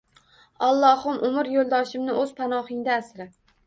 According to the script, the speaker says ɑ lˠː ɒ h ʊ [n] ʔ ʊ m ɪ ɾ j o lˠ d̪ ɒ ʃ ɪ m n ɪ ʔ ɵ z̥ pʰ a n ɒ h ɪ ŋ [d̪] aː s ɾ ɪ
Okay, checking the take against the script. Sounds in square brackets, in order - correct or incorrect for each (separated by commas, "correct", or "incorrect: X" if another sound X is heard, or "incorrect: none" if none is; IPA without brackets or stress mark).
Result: incorrect: m, correct